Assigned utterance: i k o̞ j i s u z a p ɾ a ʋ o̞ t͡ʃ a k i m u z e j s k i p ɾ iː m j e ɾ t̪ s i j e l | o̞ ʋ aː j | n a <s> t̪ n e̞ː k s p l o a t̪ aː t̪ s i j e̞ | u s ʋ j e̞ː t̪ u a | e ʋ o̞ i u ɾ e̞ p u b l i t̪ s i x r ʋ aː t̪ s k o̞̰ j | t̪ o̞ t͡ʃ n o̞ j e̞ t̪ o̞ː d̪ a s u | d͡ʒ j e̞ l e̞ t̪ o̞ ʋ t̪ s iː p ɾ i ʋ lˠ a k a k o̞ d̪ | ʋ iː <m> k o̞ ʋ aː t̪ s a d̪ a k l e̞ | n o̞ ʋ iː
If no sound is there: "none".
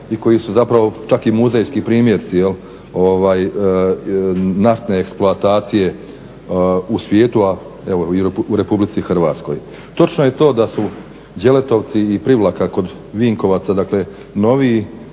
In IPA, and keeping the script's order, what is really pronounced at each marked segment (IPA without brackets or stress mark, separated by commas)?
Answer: f, ŋ